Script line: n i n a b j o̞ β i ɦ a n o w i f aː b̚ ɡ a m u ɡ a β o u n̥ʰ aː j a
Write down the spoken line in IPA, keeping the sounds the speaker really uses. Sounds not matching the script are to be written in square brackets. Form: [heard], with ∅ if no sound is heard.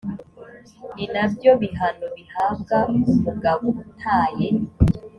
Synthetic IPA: n i n a b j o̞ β i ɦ a n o [β] i [h] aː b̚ ɡ a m u ɡ a β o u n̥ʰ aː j [e]